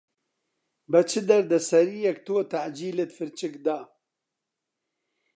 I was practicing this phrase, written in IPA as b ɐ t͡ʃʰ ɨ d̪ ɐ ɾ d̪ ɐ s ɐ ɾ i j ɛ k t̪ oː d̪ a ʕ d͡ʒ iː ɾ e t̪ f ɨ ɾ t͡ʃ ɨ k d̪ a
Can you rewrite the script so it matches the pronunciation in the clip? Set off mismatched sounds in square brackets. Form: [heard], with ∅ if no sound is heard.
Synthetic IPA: b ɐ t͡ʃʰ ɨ d̪ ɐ ɾ d̪ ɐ s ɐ ɾ i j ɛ k t̪ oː [t̪] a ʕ d͡ʒ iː [l] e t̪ f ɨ ɾ t͡ʃ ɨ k d̪ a